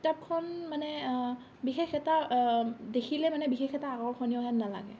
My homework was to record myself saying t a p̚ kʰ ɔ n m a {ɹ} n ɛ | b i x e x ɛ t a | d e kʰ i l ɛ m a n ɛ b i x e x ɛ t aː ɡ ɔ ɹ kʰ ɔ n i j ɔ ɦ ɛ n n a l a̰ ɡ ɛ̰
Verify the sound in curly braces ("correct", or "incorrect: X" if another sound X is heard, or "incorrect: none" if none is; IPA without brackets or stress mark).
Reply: incorrect: none